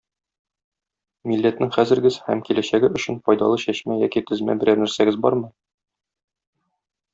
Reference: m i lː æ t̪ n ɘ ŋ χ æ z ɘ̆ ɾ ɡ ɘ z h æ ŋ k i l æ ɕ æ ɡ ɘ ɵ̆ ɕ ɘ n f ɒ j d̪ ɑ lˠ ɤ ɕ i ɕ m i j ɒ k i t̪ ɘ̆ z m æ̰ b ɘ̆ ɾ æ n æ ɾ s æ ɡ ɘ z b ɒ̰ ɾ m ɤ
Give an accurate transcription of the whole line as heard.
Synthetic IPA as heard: m i lː æ t̪ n ɘ ŋ χ æ z ɘ̆ ɾ ɡ ɘ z h æ m k i l æ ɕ æ ɡ ɘ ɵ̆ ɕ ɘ n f ɒ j d̪ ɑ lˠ ɤ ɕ æ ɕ m æ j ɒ k i t̪ ɘ̆ z m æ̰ b ɘ̆ ɾ æ n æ ɾ s æ ɡ ɘ z b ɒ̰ ɾ m ɤ